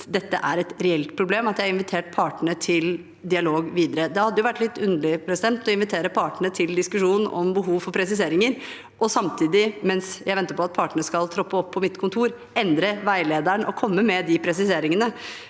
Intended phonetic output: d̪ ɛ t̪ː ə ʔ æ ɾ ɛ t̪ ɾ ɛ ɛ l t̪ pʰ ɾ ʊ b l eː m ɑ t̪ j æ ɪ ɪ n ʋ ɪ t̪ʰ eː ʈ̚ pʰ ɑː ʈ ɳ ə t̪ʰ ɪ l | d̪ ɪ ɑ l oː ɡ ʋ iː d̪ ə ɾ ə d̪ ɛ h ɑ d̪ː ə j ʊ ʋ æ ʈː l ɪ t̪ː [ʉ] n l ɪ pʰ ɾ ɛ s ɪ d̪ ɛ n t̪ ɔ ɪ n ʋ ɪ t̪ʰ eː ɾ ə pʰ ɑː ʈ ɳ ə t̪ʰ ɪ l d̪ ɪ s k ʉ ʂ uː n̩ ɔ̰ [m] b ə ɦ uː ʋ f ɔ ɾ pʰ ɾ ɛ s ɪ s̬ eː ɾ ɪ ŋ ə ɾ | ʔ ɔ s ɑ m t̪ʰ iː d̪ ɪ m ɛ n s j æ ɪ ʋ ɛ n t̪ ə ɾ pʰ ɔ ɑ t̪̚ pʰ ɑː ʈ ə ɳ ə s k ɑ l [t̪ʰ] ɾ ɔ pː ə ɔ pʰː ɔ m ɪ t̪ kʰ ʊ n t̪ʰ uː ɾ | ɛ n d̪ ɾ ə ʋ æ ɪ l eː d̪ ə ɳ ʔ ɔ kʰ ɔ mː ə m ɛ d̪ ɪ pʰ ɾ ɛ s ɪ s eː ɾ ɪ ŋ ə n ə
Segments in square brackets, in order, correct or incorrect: correct, correct, correct

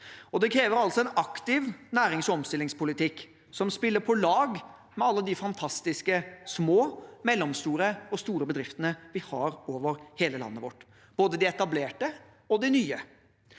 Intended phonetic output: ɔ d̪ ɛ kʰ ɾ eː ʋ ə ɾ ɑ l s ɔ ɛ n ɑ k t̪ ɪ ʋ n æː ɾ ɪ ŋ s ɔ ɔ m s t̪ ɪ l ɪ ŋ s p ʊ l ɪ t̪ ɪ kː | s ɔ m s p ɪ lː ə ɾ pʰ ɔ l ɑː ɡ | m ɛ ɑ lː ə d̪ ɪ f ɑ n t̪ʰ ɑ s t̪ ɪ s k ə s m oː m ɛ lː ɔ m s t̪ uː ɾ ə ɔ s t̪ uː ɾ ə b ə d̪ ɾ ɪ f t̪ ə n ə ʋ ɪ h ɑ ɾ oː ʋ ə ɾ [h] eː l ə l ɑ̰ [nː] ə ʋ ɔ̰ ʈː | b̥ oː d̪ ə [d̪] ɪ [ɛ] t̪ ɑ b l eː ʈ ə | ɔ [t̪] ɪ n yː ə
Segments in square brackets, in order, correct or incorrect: correct, correct, correct, correct, incorrect: d̪

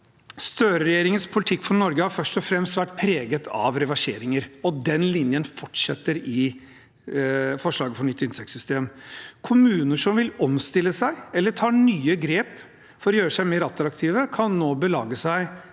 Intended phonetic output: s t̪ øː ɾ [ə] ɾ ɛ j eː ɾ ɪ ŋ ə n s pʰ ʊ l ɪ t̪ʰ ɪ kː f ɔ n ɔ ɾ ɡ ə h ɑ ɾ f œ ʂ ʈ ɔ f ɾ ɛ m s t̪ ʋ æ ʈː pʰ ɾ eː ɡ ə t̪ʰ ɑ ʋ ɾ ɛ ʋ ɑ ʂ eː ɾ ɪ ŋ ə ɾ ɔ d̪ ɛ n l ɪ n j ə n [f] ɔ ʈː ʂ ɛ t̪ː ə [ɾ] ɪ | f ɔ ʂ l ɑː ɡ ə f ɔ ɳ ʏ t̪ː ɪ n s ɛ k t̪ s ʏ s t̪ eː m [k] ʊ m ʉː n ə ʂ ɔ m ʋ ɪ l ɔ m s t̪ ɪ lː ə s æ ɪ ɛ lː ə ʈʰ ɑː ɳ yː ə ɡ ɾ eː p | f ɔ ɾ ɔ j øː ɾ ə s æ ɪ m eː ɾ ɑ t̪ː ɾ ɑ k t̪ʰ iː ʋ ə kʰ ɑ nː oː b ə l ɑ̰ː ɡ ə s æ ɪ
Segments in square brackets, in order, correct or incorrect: correct, correct, correct, incorrect: kʰ

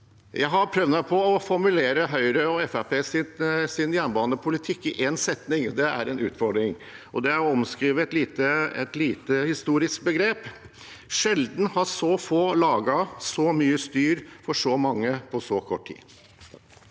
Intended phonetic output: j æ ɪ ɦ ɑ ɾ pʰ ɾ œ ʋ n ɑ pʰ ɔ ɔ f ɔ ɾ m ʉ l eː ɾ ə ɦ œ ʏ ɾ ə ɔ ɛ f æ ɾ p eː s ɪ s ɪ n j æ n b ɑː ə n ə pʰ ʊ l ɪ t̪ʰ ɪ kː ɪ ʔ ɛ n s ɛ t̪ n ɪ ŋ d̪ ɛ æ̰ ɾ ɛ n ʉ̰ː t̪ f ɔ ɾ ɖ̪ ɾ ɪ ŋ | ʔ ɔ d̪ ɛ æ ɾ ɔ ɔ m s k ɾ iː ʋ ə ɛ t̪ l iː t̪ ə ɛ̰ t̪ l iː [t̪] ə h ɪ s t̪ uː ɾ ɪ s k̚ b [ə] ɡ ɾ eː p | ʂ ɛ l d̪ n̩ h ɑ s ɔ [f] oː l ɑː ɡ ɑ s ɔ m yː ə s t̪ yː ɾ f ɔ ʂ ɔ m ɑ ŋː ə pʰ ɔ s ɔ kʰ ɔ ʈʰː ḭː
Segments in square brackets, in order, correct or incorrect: correct, correct, correct

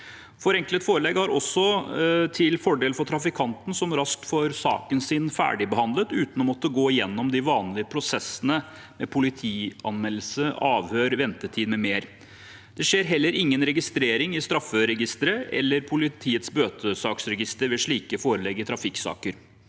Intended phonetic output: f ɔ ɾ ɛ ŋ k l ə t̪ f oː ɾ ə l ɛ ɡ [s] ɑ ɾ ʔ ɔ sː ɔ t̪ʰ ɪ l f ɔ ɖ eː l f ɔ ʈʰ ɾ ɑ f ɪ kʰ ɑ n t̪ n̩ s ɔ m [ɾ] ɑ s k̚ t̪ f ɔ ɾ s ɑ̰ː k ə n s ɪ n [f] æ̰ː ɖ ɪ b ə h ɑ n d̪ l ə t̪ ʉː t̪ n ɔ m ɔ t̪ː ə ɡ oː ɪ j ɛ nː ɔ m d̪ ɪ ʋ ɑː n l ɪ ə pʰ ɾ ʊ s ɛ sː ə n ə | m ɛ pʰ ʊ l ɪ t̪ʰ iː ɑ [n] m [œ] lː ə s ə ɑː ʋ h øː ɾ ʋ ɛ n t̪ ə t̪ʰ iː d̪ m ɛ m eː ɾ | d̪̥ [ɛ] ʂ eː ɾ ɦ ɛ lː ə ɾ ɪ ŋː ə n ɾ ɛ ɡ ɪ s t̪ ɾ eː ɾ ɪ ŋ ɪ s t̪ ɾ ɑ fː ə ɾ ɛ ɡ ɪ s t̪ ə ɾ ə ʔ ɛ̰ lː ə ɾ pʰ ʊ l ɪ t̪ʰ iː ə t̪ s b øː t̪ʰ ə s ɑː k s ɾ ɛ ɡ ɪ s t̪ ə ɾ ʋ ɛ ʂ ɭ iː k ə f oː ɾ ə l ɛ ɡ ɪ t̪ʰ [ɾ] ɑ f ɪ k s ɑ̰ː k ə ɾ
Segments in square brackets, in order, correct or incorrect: incorrect: h, correct, correct, correct, incorrect: ɛ, correct, correct

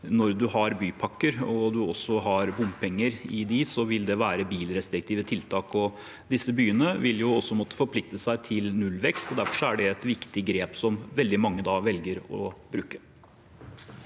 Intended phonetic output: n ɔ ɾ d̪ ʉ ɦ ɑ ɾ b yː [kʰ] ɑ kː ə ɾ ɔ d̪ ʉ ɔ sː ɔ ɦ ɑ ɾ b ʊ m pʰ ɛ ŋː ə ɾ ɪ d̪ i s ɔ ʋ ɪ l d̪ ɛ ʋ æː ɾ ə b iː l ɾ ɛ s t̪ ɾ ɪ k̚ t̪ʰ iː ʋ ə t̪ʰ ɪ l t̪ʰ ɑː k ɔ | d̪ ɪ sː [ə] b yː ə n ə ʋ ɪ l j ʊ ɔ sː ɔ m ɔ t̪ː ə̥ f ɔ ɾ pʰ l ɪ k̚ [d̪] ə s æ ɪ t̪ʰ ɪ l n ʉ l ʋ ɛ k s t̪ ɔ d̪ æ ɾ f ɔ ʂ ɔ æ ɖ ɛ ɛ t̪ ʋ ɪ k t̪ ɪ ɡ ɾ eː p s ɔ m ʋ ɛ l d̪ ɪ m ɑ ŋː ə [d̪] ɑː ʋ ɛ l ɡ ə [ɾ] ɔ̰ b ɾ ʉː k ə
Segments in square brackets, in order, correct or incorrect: incorrect: pʰ, correct, incorrect: t̪, correct, correct

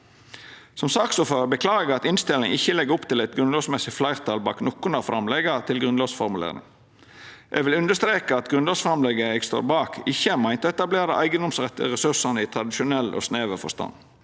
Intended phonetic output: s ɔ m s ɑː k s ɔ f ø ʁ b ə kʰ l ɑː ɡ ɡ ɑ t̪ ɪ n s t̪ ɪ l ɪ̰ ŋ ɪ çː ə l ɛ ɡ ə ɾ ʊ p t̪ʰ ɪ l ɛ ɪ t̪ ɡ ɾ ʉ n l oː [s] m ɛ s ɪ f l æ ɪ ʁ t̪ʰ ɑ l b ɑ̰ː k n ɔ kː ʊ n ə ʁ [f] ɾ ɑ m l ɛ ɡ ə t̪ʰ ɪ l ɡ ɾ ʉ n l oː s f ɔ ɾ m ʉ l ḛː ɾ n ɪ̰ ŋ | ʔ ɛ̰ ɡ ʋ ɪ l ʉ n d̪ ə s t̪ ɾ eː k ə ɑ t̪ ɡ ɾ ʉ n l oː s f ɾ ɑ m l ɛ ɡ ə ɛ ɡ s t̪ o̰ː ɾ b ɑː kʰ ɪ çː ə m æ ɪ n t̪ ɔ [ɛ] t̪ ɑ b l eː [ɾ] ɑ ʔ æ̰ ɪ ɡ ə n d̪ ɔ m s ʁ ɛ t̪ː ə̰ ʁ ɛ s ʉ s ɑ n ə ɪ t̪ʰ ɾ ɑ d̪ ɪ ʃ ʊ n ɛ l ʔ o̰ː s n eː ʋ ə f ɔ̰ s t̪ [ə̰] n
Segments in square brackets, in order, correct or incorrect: correct, correct, correct, correct, incorrect: ɑ̰

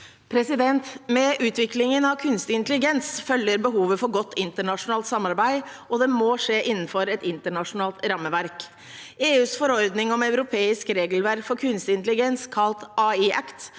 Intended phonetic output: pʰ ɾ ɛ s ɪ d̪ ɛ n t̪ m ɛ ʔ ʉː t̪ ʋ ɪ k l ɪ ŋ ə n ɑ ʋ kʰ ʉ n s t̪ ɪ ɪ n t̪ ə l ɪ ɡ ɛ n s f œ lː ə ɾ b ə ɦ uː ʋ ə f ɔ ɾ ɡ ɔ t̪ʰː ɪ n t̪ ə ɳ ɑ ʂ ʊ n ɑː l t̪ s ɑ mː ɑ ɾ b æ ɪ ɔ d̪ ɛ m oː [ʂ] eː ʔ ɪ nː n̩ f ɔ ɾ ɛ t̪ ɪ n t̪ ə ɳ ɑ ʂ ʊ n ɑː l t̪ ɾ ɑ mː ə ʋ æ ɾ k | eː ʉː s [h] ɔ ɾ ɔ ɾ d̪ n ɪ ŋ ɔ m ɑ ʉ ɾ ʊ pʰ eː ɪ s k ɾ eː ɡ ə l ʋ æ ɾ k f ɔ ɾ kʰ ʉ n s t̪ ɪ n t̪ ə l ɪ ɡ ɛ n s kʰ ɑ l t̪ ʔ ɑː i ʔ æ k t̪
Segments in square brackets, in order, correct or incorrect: correct, incorrect: f

